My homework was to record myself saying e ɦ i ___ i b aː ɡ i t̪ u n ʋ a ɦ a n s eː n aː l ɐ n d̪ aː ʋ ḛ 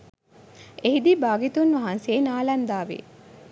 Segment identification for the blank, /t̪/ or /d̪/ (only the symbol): d̪